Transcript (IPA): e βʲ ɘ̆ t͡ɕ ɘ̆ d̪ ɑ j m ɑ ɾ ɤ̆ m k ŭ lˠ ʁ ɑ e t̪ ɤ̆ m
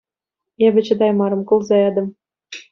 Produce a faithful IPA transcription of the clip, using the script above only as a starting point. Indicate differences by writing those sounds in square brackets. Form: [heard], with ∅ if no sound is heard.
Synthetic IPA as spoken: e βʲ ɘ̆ t͡ɕ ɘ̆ d̪ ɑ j m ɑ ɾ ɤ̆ m k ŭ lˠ [z] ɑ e [d̪] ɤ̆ m